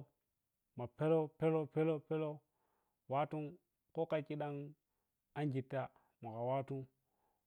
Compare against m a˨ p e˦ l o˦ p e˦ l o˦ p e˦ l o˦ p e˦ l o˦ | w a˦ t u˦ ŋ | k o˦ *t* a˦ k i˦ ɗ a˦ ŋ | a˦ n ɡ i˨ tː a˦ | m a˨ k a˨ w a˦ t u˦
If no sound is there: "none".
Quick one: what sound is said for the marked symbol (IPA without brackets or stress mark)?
k